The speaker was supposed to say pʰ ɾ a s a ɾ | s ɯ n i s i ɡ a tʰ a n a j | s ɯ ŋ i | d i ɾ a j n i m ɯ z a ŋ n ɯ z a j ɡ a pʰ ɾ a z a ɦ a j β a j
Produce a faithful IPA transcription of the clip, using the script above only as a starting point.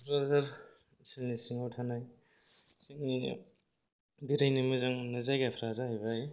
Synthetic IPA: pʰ ɾ a z a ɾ | s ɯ n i s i ŋ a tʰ a n a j | s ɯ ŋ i | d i ɾ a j n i m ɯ z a ŋ n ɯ z a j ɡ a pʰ ɾ a z a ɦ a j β a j